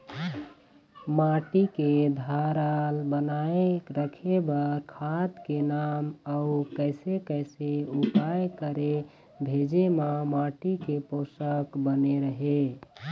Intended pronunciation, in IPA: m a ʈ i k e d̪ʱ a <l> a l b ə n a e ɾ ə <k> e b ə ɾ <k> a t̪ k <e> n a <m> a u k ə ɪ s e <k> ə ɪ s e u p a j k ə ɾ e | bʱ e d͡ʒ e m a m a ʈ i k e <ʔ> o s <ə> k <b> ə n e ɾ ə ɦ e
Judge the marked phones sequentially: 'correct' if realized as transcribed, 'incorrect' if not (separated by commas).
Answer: incorrect, incorrect, incorrect, correct, correct, correct, incorrect, correct, correct